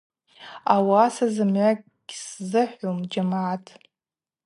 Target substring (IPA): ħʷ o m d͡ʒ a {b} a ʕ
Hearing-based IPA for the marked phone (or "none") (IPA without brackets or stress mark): m